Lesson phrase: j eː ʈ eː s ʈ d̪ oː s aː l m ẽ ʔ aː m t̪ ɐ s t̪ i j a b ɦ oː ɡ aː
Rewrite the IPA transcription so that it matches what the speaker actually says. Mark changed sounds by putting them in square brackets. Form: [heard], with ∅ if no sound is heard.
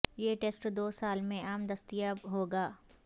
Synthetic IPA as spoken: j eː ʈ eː s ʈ d̪ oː s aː l m ẽ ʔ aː m [d̪] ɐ s t̪ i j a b ɦ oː ɡ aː